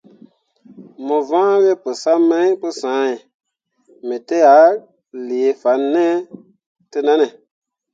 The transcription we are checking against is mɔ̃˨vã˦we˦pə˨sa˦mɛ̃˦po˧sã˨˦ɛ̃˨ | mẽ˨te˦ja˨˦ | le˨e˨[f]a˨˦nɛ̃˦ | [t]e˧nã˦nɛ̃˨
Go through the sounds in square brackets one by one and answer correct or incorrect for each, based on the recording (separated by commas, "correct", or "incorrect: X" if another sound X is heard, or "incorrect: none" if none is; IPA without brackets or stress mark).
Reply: correct, correct